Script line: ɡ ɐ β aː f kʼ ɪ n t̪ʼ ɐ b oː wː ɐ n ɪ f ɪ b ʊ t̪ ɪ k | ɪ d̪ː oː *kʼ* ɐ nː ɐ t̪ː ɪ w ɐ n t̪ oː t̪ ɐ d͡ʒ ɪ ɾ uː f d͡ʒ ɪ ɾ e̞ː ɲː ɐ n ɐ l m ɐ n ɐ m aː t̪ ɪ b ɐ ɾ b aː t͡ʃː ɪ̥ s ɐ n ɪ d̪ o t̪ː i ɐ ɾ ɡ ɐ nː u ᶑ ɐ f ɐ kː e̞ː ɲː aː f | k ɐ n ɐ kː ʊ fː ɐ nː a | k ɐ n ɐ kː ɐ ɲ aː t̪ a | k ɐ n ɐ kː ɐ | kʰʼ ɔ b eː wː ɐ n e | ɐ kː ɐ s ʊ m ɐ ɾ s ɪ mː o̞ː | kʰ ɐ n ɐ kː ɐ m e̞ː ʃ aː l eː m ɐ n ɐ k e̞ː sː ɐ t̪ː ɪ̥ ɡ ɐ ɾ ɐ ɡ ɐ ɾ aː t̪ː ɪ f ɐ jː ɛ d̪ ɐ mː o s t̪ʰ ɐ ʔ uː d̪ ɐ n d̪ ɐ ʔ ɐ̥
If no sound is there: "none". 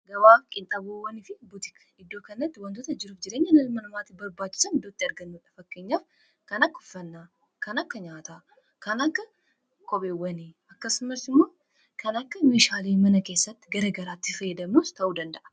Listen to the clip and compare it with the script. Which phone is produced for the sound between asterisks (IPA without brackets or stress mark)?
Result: k